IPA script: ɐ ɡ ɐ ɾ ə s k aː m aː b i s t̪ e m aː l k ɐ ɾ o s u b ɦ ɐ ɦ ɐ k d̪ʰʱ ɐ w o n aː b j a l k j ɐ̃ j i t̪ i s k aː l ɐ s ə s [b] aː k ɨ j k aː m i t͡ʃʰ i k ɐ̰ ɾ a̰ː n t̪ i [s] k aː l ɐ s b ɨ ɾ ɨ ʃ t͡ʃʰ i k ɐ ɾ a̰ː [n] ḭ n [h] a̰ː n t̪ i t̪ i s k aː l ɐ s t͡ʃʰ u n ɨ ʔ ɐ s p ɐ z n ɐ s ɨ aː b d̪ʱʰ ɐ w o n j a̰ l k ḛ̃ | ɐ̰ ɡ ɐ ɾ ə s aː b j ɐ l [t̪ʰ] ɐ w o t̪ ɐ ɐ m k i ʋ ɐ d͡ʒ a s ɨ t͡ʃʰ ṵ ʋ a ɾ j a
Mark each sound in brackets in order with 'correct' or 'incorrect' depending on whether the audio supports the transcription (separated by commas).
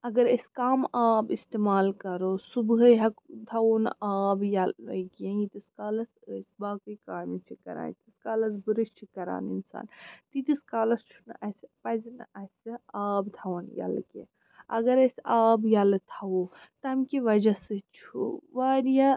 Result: correct, correct, correct, incorrect, correct